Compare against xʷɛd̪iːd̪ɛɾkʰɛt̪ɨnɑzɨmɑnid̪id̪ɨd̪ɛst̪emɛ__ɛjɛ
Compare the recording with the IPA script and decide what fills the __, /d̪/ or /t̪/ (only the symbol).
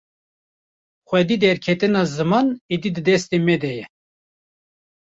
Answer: d̪